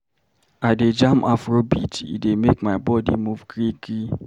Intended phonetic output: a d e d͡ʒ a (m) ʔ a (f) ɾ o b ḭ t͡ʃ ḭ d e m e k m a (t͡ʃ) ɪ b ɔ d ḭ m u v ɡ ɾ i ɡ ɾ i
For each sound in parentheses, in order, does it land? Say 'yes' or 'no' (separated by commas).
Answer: yes, yes, no